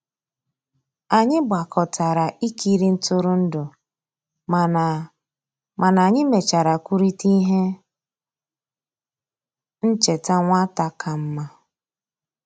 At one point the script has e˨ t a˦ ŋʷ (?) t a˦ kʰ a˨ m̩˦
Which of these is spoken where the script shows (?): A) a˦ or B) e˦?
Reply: A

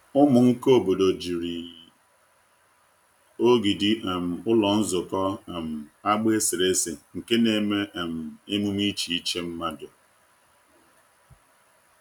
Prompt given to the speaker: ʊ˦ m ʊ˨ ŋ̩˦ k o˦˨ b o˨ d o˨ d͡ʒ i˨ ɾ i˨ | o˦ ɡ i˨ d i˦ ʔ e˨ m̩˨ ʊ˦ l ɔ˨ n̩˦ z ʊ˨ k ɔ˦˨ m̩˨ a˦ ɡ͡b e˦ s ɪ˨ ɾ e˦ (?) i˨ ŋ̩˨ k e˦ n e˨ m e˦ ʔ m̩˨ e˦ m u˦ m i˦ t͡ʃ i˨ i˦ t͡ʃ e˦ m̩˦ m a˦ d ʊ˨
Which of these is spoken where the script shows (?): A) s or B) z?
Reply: A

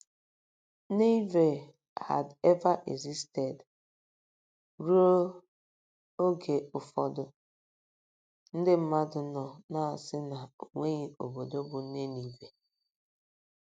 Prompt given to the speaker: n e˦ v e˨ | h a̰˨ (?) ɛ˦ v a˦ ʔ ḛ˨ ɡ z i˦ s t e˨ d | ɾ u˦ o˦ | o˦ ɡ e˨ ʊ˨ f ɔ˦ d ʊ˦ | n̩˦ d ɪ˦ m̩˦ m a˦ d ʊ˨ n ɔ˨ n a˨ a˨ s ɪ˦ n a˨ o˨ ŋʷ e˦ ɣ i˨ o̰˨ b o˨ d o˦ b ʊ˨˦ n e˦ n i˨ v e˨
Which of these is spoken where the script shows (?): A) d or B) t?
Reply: A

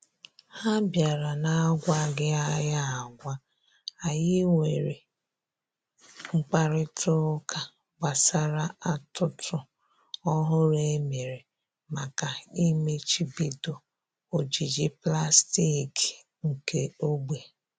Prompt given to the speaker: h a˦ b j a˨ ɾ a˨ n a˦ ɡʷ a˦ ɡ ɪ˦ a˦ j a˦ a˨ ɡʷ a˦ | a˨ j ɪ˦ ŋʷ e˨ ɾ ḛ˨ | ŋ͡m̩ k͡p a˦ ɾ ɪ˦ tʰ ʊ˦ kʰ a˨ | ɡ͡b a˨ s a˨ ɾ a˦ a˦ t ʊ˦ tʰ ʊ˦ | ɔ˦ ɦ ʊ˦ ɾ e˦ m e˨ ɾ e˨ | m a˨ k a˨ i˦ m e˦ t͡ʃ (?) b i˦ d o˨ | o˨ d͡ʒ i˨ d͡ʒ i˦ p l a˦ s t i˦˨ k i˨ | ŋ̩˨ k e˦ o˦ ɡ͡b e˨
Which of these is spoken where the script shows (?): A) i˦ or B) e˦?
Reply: A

